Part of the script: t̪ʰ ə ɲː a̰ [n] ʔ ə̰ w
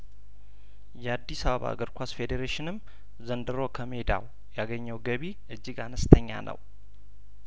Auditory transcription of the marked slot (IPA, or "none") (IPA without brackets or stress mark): n